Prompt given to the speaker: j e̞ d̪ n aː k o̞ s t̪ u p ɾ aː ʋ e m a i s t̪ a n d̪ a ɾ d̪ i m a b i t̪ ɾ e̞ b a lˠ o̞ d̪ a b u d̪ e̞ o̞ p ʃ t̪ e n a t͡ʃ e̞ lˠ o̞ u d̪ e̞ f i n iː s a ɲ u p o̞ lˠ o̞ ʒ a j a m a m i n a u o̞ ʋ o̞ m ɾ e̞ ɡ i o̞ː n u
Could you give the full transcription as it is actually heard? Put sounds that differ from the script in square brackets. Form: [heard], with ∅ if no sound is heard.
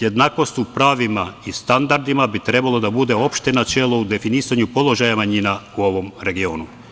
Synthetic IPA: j e̞ d̪ n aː k o̞ s t̪ u p ɾ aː ʋ [i] m a i s t̪ a n d̪ a ɾ d̪ i m a b i t̪ ɾ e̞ b a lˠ o̞ d̪ a b u d̪ e̞ o̞ p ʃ t̪ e n a t͡ʃ e̞ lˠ o̞ u d̪ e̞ f i n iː s a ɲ u p o̞ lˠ o̞ ʒ a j a m a [ɲ] i n a u o̞ ʋ o̞ m ɾ e̞ ɡ i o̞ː n u